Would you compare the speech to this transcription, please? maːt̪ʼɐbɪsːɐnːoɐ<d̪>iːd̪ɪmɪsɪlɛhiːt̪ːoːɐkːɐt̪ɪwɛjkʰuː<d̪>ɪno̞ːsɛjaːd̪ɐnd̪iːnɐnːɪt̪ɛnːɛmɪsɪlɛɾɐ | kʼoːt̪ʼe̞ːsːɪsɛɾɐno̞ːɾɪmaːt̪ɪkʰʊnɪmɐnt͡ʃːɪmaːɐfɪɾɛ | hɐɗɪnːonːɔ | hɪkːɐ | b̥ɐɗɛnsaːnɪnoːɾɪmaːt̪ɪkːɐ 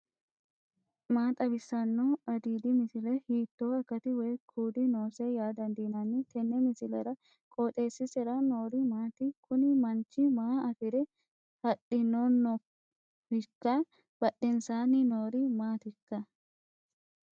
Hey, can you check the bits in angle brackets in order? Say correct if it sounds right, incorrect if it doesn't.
correct, correct

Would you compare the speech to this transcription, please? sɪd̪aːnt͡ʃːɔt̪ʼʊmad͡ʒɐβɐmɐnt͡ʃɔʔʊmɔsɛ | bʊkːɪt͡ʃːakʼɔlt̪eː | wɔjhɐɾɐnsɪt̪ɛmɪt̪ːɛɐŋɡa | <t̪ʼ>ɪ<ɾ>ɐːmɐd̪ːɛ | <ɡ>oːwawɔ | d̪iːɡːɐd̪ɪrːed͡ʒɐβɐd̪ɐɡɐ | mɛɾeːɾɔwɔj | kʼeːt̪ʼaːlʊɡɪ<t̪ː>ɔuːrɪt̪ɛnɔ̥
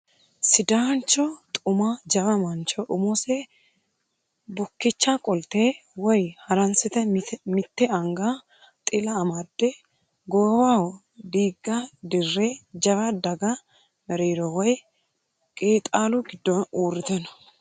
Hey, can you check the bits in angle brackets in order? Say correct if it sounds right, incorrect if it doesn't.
correct, incorrect: l, correct, incorrect: d̪ː

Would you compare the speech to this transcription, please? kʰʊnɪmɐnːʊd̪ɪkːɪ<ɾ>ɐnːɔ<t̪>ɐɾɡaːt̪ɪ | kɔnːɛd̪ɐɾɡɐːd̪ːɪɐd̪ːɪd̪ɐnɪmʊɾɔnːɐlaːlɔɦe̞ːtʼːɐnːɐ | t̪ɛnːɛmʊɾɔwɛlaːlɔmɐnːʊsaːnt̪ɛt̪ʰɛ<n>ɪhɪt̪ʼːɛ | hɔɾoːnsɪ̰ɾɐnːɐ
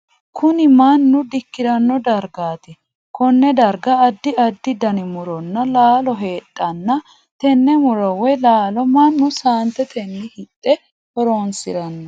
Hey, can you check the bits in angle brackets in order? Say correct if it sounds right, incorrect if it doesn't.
correct, incorrect: d̪, incorrect: nː

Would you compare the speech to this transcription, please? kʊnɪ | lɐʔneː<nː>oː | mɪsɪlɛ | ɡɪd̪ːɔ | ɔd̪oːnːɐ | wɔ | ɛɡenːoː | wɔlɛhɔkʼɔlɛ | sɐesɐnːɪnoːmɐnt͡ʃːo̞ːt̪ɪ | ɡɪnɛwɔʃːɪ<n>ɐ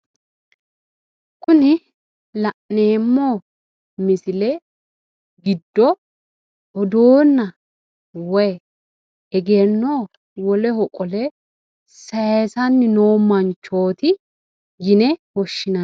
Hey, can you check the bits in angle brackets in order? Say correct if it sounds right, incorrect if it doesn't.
incorrect: mː, correct

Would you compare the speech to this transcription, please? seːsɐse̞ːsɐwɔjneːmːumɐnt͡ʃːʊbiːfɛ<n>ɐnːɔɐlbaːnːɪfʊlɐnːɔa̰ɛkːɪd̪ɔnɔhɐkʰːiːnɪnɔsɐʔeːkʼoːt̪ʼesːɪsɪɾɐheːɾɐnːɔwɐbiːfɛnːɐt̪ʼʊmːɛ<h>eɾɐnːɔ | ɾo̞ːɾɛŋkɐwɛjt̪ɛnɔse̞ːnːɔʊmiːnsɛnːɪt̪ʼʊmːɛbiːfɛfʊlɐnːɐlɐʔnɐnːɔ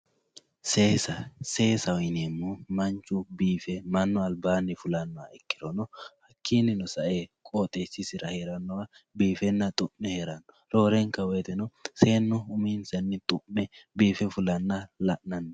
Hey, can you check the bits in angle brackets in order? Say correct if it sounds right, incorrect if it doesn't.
incorrect: m, correct

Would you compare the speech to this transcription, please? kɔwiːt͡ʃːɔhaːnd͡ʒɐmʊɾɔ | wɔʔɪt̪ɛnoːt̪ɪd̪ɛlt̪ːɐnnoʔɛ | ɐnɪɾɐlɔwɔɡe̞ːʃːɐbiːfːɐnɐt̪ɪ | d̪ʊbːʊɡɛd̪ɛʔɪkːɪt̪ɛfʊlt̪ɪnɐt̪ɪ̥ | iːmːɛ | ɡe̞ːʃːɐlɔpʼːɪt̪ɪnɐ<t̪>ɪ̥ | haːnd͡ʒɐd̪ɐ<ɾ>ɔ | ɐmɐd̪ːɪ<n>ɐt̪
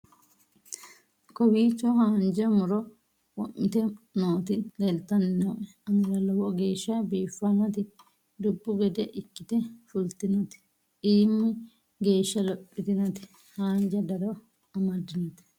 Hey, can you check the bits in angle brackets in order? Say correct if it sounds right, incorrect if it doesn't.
correct, correct, correct

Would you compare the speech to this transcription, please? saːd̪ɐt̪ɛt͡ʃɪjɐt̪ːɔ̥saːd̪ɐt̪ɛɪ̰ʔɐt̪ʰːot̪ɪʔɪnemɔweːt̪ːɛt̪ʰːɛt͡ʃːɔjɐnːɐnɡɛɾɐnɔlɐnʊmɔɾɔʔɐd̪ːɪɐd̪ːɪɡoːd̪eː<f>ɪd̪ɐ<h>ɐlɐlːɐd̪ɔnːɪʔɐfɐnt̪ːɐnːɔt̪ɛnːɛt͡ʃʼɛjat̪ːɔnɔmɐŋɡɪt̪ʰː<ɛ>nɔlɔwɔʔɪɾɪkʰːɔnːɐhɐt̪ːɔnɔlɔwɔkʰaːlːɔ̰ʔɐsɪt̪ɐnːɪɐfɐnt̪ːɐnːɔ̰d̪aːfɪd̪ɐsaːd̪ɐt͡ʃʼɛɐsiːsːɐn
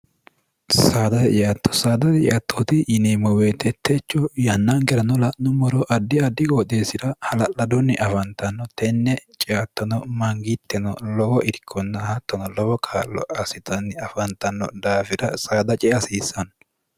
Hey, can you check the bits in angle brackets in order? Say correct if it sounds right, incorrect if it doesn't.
incorrect: s, correct, correct

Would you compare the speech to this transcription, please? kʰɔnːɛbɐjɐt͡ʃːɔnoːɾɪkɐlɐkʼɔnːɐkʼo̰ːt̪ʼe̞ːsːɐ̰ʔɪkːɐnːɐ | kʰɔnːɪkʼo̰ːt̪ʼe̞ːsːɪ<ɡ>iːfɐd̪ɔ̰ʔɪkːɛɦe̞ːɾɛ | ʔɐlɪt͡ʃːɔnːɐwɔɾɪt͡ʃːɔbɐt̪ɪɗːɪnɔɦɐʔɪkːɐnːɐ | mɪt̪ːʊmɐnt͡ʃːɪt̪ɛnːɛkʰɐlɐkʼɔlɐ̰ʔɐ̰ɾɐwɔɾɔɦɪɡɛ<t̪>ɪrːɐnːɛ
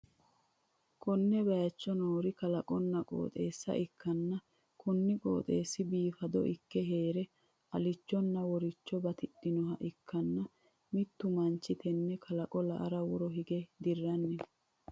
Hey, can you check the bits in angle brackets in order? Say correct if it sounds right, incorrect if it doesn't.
incorrect: b, incorrect: d̪

